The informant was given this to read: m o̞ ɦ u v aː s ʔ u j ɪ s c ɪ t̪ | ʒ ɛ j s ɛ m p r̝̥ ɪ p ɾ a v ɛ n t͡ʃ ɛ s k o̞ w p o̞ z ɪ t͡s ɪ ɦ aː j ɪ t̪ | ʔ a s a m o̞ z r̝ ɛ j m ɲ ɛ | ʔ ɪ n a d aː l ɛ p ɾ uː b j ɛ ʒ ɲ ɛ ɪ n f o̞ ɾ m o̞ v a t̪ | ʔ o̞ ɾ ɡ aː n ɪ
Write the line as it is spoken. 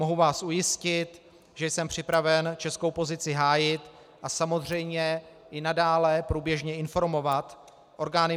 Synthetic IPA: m o̞ ɦ u v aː s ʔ u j ɪ s c ɪ t̪ | ʒ ɛ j s ɛ m p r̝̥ ɪ p ɾ a v ɛ n t͡ʃ ɛ s k o̞ w p o̞ z ɪ t͡s ɪ ɦ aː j ɪ t̪ | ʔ a s a m o̞ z r̝ ɛ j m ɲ ɛ | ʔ ɪ n a d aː l ɛ p ɾ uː b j ɛ ʒ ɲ ɛ ɪ n f o̞ ɾ m o̞ v a t̪ | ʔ o̞ ɾ ɡ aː n ɪ